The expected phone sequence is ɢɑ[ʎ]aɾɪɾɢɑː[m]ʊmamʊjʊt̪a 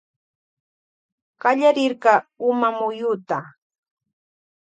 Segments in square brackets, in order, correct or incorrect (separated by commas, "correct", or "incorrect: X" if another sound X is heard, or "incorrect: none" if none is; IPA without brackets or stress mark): correct, incorrect: none